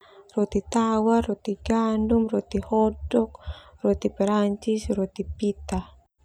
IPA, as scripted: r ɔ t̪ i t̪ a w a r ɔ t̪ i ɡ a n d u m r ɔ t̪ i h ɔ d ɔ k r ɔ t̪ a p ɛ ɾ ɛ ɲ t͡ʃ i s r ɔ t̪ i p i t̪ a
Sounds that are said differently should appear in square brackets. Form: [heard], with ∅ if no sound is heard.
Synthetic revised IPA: r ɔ t̪ i t̪ a w a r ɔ t̪ i ɡ a n d u m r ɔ t̪ i h ɔ d ɔ k r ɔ t̪ [i] p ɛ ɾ [a] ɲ t͡ʃ i s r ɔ t̪ i p i t̪ a